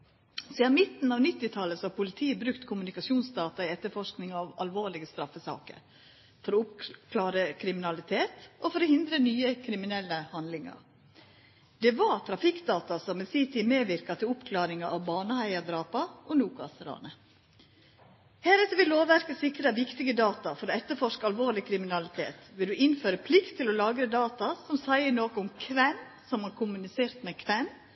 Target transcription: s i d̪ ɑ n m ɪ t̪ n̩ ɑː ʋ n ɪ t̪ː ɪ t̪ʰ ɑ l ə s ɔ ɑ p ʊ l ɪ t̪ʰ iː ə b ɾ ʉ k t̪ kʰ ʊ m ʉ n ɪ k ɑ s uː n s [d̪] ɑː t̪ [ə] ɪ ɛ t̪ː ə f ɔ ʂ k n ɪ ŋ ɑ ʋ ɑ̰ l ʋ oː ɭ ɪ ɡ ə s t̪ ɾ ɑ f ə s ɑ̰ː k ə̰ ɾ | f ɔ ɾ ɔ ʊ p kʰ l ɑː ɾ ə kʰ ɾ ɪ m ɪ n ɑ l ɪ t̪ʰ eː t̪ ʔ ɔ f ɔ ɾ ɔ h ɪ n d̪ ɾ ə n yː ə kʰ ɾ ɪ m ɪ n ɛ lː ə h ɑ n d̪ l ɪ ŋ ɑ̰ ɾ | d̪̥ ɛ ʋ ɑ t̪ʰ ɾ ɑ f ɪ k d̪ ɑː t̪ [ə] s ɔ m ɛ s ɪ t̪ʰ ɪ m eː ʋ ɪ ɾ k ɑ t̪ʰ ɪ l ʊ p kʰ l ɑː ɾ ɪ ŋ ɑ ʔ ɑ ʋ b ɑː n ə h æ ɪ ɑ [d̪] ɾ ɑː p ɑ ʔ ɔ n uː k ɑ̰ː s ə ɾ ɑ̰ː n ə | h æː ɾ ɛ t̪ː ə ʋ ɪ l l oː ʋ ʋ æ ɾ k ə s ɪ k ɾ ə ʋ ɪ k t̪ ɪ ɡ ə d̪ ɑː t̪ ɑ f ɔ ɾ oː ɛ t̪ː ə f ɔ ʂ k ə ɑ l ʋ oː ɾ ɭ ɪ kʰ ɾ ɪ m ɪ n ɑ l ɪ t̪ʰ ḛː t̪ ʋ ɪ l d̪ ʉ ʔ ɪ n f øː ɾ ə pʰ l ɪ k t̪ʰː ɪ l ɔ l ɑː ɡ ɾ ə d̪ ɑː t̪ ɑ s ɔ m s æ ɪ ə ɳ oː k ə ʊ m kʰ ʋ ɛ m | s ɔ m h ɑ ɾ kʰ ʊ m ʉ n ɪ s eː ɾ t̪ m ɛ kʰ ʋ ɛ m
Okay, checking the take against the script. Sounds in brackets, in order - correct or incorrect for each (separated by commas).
correct, incorrect, incorrect, correct